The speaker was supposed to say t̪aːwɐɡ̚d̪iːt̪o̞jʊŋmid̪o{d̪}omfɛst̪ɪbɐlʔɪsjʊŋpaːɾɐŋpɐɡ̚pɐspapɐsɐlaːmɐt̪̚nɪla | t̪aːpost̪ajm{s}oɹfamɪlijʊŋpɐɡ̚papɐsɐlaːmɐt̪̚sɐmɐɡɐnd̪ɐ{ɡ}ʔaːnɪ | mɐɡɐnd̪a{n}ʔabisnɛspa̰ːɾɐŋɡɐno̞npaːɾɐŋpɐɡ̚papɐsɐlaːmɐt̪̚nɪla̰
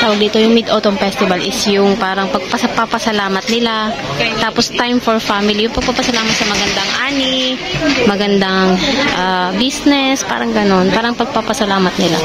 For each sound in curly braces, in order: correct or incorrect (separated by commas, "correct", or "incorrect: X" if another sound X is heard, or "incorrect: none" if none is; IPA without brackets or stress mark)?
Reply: incorrect: t̪, incorrect: f, incorrect: ŋ, incorrect: ŋ